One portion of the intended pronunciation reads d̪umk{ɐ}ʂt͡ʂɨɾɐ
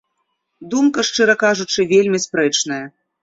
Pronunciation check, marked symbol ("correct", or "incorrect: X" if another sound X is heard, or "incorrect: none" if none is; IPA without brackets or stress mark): correct